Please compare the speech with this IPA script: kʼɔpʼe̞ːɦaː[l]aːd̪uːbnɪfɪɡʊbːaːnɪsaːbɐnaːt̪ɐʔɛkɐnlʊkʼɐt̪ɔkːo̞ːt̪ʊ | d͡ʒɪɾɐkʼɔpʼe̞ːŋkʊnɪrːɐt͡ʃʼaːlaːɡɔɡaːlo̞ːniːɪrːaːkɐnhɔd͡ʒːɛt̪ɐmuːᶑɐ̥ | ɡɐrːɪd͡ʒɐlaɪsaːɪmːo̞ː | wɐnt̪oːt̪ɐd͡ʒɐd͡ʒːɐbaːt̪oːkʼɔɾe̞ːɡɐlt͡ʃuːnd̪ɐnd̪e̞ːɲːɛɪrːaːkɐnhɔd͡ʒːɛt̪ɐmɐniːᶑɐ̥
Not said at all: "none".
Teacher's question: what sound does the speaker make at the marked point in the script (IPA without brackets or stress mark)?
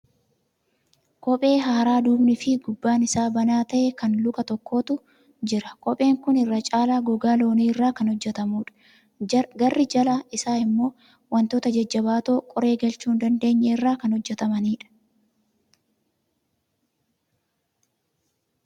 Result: ɾ